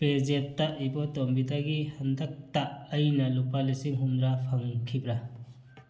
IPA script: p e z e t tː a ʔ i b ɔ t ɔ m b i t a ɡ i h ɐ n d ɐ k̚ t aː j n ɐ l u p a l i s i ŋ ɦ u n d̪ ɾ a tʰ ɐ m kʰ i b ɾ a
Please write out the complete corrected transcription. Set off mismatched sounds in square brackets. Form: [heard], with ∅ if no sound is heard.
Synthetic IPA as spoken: p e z e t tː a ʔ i b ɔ t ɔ m b i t a ɡ i h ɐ n d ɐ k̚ t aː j n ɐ l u p a l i s i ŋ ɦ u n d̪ ɾ a [pʰ] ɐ [ŋ] kʰ i b ɾ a

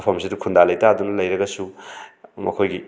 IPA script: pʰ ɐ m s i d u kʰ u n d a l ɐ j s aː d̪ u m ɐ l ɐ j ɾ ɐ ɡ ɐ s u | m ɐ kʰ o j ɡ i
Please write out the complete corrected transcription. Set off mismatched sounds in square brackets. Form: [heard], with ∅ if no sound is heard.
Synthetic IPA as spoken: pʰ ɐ m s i d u kʰ u n d a l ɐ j [t] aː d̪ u [n] ɐ l ɐ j ɾ ɐ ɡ ɐ s u | m ɐ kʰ o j ɡ i

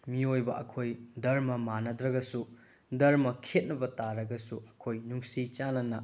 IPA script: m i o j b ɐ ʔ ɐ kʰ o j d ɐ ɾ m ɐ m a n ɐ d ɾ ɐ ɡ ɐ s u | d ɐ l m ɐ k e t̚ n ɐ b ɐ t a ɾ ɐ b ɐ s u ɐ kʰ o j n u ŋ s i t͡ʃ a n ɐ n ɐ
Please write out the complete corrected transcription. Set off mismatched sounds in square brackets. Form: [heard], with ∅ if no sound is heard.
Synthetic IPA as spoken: m i o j b ɐ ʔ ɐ kʰ o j d ɐ ɾ m ɐ m a n ɐ d ɾ ɐ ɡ ɐ s u | d ɐ [ɾ] m ɐ [kʰ] e t̚ n ɐ b ɐ t a ɾ ɐ [ɡ] ɐ s u ɐ kʰ o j n u ŋ s i t͡ʃ a n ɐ n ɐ

